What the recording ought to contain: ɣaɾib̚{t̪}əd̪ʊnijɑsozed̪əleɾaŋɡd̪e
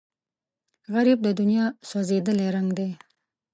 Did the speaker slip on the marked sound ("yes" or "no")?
yes